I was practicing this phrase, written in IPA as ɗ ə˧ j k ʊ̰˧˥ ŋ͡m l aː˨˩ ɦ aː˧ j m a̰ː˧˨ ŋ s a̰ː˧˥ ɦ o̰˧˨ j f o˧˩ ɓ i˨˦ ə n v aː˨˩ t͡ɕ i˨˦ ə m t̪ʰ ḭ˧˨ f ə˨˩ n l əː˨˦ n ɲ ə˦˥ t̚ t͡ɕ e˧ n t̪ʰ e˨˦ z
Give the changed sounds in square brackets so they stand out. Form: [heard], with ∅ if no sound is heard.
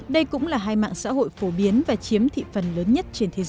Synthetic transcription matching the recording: ɗ ə˧ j k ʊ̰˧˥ ŋ͡m l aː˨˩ ɦ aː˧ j m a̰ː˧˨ ŋ s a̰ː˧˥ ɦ o̰˧˨ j f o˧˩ ɓ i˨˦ ə n v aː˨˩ t͡ɕ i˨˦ ə m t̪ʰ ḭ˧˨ f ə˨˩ n l əː˨˦ n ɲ ə˦˥ t̚ t͡ɕ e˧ n t̪ʰ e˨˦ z